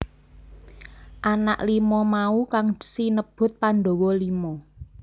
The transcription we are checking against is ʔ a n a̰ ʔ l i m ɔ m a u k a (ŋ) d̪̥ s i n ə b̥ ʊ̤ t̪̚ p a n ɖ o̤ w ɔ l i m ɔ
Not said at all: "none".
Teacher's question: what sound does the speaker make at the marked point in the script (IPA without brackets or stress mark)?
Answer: ŋ